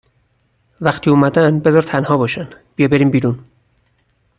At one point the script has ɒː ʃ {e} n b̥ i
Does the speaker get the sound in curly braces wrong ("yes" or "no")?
yes